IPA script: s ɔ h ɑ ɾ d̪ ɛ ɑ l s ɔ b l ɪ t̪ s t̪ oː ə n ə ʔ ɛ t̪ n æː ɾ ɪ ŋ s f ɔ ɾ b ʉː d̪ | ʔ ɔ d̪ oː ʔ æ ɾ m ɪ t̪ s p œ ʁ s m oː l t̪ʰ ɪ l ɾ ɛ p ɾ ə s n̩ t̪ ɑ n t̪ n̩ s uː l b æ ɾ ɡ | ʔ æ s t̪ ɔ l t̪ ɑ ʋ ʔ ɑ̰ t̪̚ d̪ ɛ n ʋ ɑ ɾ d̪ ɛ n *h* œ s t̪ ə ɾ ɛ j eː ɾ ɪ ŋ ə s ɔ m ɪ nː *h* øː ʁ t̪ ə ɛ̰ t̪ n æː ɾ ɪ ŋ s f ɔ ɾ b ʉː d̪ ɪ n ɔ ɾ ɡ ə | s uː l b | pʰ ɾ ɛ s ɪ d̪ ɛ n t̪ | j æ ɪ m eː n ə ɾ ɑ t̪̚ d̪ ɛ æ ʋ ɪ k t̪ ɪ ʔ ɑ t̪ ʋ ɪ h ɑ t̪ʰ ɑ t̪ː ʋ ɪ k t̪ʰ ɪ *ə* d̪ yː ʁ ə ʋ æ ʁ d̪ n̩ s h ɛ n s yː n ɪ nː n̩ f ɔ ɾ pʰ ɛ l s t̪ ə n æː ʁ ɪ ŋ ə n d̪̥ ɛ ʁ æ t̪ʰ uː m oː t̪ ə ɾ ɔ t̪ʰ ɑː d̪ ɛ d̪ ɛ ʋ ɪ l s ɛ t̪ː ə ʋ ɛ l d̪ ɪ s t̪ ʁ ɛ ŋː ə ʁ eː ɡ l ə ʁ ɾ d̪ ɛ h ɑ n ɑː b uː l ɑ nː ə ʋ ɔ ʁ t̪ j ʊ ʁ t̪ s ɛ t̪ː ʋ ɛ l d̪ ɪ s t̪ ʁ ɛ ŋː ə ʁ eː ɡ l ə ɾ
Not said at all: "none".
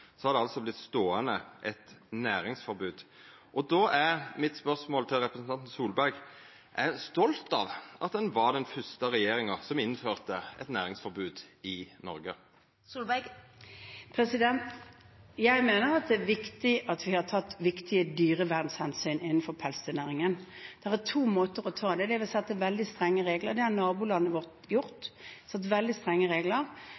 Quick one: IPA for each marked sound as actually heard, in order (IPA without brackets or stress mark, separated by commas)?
f, f, ə